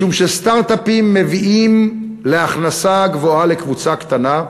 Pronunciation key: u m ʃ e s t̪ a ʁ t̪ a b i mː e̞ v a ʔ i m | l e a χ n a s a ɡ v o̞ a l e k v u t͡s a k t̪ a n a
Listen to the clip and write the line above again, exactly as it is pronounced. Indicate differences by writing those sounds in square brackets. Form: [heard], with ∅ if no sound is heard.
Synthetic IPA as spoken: u m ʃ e s t̪ a ʁ t̪ a [p] i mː e̞ v [i] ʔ i m | l e a χ n a s a ɡ v o̞ a l e k v u t͡s a k t̪ a n a